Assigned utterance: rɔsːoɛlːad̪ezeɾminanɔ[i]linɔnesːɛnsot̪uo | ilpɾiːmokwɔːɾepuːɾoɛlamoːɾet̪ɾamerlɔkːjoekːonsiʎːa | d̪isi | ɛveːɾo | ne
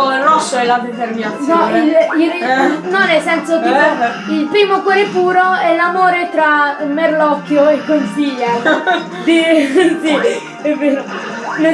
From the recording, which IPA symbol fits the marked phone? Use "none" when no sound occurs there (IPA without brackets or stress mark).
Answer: i